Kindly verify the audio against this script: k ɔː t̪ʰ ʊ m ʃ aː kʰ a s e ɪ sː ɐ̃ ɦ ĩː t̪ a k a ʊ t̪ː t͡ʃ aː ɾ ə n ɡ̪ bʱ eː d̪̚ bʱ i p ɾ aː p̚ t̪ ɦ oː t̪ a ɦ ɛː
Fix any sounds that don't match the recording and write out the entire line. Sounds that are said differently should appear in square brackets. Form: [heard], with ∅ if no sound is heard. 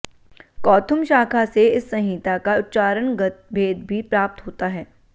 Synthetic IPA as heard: k ɔː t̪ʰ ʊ m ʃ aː kʰ a s e ɪ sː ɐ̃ ɦ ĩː t̪ a k a ʊ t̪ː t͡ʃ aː ɾ ə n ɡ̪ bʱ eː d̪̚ bʱ i p ɾ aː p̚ t̪ ɦ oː t̪ a ɦ ɛː

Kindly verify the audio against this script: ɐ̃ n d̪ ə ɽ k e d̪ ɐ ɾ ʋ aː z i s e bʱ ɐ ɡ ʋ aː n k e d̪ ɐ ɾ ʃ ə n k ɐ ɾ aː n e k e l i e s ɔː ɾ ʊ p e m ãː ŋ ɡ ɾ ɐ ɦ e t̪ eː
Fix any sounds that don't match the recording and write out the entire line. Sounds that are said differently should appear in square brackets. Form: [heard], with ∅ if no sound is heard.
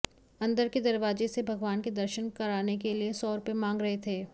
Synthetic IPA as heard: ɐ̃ n d̪ ə [ɾ] k e d̪ ɐ ɾ ʋ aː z [e] s e bʱ ɐ ɡ ʋ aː n k e d̪ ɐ ɾ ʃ ə n k ɐ ɾ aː n e k e l i e s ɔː ɾ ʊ p e m ãː ŋ ɡ ɾ ɐ ɦ e [t̪ʰ] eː

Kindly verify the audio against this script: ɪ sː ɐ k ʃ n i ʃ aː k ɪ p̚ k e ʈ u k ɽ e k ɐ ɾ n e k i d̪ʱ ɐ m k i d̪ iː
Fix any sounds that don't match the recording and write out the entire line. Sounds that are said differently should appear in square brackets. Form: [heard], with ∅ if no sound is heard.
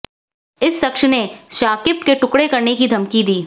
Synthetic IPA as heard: ɪ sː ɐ k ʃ n [e] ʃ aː k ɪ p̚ k e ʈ [ʊ] k ɽ e k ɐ ɾ n e k i d̪ʱ ɐ m k i d̪ iː

